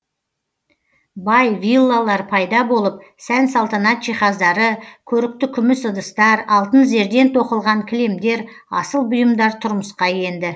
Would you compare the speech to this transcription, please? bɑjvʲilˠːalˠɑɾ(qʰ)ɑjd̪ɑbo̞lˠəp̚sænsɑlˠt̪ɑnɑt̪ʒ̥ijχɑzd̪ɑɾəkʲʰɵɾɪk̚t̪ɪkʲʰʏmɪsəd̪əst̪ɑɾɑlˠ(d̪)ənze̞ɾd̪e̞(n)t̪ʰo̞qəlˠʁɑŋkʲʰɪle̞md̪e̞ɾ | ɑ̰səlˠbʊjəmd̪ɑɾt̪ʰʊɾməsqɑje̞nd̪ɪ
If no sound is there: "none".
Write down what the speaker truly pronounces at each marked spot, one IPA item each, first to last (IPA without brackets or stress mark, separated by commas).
pʰ, t̪, n